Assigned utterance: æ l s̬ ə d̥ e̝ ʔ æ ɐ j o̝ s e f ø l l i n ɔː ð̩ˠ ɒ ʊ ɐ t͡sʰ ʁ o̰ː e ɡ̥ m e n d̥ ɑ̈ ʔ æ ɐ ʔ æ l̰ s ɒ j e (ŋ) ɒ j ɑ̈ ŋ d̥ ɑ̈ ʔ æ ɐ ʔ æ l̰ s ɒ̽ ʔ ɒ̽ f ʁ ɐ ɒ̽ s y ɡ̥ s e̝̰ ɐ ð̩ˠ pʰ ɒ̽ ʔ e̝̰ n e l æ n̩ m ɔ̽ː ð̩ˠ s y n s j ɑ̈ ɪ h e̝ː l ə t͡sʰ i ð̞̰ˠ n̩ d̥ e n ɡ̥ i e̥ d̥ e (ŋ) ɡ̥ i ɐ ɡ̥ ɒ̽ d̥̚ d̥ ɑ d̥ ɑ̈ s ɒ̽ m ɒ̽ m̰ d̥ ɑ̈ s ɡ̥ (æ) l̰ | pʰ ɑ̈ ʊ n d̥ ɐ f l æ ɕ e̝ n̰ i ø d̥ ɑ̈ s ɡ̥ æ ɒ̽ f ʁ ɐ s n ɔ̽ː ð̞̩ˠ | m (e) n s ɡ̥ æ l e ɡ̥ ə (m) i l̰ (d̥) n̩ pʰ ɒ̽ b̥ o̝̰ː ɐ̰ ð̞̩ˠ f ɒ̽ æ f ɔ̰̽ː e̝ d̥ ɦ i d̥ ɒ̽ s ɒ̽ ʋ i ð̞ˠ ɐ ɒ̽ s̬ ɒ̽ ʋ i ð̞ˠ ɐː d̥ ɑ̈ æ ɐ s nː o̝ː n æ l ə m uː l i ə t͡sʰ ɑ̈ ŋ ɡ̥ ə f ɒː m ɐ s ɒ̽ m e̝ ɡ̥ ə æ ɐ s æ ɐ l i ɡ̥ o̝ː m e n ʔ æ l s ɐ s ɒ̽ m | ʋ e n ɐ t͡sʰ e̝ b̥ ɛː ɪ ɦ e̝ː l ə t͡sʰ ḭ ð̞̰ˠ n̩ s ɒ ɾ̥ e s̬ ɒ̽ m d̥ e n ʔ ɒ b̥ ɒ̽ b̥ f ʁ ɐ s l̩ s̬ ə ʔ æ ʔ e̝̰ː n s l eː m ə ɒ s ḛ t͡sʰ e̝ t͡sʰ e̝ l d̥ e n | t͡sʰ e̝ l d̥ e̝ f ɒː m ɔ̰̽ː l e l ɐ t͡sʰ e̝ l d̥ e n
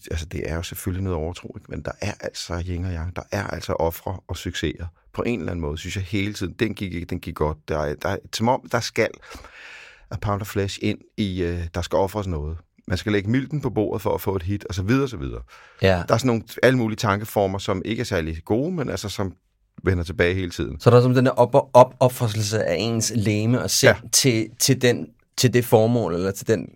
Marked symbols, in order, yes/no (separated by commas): yes, no, yes, no, yes, yes